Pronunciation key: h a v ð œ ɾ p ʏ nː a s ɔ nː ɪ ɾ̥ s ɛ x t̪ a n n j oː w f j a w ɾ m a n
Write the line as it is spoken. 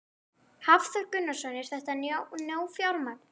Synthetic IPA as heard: h a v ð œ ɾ k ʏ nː a s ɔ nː ɪ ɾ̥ θ ɛ h t̪ a n n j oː w f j a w ɾ m a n